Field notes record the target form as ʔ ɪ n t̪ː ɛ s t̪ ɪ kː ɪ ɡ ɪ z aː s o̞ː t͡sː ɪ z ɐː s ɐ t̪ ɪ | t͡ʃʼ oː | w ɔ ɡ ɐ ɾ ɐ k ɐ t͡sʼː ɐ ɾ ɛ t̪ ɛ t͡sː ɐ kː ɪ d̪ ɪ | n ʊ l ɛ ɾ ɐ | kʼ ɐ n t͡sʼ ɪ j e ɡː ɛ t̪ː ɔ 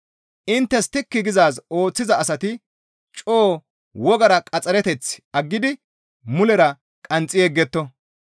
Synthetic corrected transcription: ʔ ɪ n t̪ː ɛ s t̪ ɪ kː ɪ ɡ ɪ z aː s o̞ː t͡sː ɪ z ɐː s ɐ t̪ ɪ | t͡ʃʼ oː | w ɔ ɡ ɐ ɾ ɐ kʼ ɐ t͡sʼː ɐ ɾ ɛ t̪ ɛ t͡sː ɐ ɡː ɪ d̪ ɪ | m ʊ l ɛ ɾ ɐ | kʼ ɐ n t͡sʼ ɪ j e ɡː ɛ t̪ː ɔ